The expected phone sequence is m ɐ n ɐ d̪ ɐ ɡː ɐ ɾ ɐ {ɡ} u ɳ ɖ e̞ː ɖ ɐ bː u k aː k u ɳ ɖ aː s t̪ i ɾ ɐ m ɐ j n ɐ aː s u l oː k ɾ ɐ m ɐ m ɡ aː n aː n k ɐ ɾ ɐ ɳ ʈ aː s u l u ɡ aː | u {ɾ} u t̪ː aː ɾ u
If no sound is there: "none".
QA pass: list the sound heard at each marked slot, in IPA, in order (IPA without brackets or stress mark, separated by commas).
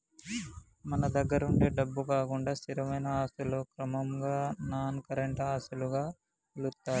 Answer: none, l